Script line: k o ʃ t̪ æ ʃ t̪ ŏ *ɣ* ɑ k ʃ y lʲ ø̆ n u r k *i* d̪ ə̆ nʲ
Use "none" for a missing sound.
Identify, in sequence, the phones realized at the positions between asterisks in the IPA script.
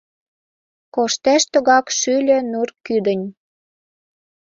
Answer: ɣ, y

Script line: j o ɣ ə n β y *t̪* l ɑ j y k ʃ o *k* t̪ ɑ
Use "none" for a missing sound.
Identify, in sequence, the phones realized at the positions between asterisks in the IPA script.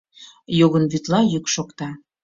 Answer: t̪, k

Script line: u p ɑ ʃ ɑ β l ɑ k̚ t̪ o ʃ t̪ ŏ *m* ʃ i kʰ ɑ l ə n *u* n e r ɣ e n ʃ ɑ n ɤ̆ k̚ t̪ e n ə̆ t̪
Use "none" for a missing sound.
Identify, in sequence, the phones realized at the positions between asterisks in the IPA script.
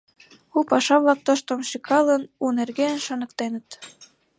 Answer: m, u

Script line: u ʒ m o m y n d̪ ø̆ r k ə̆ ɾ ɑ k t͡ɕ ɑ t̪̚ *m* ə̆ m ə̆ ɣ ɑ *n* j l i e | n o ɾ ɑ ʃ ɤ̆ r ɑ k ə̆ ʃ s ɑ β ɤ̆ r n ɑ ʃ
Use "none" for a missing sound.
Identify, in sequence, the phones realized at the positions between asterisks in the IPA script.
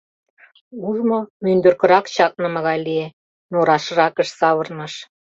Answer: n, none

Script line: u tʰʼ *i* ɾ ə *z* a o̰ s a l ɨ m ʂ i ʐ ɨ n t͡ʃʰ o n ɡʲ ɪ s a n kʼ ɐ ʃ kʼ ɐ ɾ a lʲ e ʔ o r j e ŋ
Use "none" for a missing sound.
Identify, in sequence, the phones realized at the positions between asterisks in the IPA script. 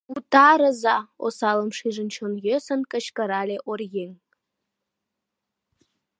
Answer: a, z

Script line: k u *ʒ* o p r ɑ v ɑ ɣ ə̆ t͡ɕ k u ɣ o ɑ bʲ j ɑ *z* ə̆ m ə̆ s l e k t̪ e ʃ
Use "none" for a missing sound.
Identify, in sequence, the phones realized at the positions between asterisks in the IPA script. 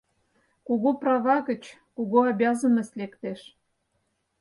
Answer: ɣ, z

